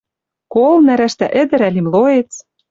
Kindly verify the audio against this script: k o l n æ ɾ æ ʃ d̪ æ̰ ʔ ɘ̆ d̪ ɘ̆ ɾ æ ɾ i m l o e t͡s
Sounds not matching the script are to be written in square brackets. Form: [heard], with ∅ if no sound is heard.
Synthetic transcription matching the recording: k o l n æ ɾ æ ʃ [t̪] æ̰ ʔ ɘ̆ d̪ ɘ̆ ɾ æ [l] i m l o e t͡s